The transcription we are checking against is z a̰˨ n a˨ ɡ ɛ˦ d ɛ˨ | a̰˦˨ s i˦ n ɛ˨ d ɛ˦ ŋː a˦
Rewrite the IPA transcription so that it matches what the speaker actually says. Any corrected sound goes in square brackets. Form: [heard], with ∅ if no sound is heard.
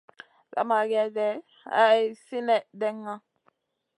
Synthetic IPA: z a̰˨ [m] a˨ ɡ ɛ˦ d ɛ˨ | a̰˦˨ s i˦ n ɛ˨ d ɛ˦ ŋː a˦